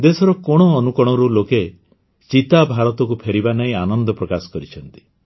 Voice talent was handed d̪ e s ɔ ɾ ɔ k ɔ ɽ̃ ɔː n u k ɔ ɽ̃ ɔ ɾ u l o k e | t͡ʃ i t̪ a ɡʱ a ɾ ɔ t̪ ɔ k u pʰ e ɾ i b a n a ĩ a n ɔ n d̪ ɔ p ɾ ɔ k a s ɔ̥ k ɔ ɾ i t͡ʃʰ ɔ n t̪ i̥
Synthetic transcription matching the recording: d̪ e s ɔ ɾ ɔ k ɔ ɽ̃ ɔː n u k ɔ ɽ̃ ɔ ɾ u l o k e | t͡ʃ i t̪ a bʱ a ɾ ɔ t̪ ɔ k u pʰ e ɾ i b a n a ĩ a n ɔ n d̪ ɔ p ɾ ɔ k a s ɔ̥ k ɔ ɾ i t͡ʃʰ ɔ n t̪ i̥

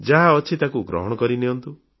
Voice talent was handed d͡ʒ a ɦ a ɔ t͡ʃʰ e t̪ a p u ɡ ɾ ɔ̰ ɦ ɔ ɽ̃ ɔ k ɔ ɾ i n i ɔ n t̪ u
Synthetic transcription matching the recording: d͡ʒ a ɦ a ɔ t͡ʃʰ i t̪ a k u ɡ ɾ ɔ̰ ɦ ɔ ɽ̃ ɔ k ɔ ɾ i n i ɔ n t̪ u

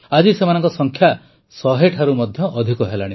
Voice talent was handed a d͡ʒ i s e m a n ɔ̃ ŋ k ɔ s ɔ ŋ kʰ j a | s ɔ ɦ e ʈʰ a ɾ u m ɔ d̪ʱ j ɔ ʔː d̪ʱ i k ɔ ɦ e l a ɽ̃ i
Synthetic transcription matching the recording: a d͡ʒ i s e m a n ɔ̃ ŋ k ɔ s ɔ ŋ kʰ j a | s ɔ ɦ e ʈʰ a ɾ u m ɔ d̪ʱ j ɔ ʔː d̪ʱ i k ɔ ɦ e l a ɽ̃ i

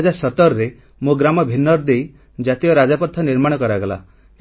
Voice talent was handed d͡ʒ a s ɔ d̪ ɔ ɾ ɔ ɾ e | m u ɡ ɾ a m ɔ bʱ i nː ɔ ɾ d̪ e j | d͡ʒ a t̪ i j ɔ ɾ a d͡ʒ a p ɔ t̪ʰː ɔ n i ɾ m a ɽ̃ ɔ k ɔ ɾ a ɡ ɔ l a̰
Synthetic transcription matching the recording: d͡ʒ a s ɔ t̪ ɔ ɾ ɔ ɾ e | m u ɡ ɾ a m ɔ bʱ i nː ɔ ɾ d̪ e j | d͡ʒ a t̪ i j ɔ ɾ a d͡ʒ a p ɔ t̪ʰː ɔ n i ɾ m a ɽ̃ ɔ k ɔ ɾ a ɡ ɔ l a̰

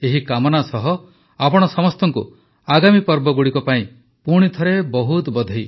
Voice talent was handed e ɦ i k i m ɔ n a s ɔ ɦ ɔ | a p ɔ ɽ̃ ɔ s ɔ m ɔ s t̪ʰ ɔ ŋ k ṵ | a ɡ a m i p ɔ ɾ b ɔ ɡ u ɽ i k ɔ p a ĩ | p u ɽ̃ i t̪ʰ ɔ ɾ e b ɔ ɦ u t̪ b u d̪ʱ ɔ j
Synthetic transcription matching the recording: e ɦ i k a m ɔ n a s ɔ ɦ ɔ | a p ɔ ɽ̃ ɔ s ɔ m ɔ s t̪ ɔ ŋ k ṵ | a ɡ a m i p ɔ ɾ b ɔ ɡ u ɽ i k ɔ p a ĩ | p u ɽ̃ i t̪ʰ ɔ ɾ e b ɔ ɦ u t̪ b ɔ d̪ʱ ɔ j

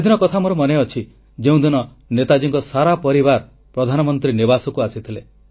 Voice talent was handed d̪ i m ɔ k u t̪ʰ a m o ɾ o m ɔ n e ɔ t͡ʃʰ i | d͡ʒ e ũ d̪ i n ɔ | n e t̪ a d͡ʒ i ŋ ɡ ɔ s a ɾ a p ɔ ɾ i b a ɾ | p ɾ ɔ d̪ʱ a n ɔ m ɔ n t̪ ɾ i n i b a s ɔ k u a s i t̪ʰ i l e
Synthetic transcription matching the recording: d̪ i n ɔ k ɔ t̪ʰ a m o ɾ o m ɔ n e ɔ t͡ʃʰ i | d͡ʒ e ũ d̪ i n ɔ | n e t̪ a d͡ʒ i ŋ k ɔ s a ɾ a p ɔ ɾ i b a ɾ | p ɾ ɔ d̪ʱ a n ɔ m ɔ n t̪ ɾ i n i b a s ɔ k u a s i t̪ʰ i l e

